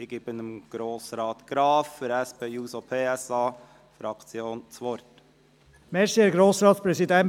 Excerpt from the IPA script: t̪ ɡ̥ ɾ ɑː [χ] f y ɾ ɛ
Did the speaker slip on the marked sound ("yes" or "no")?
yes